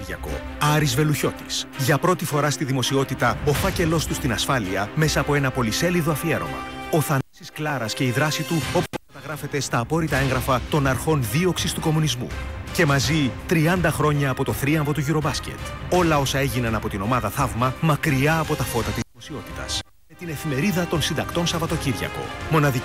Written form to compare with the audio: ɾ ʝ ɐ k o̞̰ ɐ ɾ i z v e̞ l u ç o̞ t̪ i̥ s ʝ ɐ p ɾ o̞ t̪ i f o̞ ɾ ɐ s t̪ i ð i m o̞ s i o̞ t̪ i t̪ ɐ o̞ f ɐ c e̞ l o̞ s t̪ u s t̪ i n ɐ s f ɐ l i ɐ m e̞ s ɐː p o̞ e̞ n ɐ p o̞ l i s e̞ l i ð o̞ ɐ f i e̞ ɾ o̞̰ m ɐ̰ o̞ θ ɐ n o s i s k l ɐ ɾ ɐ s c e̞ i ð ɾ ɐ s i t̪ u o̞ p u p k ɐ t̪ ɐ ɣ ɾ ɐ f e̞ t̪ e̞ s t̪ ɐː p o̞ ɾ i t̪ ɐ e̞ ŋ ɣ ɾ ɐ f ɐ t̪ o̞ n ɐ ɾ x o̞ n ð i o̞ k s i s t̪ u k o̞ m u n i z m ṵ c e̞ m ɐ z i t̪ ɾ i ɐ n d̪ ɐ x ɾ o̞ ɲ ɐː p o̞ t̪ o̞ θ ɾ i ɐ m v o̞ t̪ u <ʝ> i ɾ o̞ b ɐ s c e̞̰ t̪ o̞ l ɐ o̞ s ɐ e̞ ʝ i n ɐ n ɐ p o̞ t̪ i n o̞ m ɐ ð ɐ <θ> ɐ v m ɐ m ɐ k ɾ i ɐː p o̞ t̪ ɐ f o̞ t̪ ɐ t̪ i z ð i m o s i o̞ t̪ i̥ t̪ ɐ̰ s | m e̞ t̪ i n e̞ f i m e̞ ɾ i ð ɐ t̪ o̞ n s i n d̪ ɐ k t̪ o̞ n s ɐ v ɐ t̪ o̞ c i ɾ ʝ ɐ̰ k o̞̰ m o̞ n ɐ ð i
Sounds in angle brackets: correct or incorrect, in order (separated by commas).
correct, correct